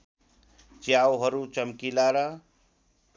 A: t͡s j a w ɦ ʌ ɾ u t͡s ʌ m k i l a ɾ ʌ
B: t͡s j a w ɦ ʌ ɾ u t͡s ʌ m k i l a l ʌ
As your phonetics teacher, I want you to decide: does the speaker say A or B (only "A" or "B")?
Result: A